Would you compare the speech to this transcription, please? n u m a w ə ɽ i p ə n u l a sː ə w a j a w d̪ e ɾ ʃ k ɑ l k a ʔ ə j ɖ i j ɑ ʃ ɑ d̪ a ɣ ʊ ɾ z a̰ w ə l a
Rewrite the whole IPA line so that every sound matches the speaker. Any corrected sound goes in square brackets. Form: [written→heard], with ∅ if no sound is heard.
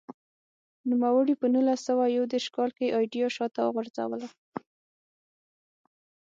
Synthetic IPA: n u m a w ə ɽ i p ə n u l a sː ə w a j a w d̪ e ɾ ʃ k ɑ l k [a→e] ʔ [ə→ɑ] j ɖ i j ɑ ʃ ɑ [d̪→t̪] a ɣ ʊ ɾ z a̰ w ə l a